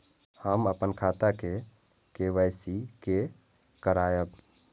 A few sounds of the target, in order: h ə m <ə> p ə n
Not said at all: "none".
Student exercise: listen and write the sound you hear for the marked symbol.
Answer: ə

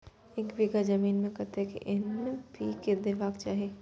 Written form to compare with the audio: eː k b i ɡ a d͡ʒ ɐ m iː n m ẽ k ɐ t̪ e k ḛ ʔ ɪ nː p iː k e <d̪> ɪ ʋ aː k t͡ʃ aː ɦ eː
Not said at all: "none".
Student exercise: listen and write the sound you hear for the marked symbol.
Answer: d̪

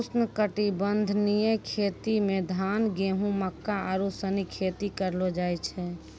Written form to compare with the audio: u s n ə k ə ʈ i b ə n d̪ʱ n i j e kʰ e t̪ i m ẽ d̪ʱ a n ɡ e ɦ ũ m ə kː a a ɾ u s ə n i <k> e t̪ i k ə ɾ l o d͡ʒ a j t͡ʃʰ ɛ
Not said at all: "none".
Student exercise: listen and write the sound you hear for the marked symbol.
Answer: kʰ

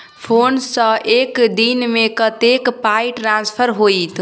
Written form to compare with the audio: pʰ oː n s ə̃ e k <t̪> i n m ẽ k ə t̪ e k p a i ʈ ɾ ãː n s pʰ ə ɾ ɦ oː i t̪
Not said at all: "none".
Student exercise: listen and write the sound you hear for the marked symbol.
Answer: d̪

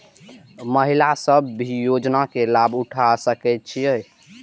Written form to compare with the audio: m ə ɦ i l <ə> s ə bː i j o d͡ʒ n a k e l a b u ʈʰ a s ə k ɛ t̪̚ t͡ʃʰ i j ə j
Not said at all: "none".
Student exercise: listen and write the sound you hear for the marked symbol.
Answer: a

